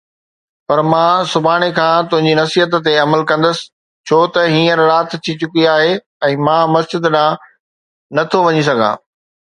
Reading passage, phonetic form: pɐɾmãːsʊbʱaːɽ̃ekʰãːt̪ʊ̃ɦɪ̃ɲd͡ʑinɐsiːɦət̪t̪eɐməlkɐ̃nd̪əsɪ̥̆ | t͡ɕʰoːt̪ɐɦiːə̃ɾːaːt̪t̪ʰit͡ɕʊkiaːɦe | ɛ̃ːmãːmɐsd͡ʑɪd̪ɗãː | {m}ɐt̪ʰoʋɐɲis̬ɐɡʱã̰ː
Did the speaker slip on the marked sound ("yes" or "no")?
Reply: yes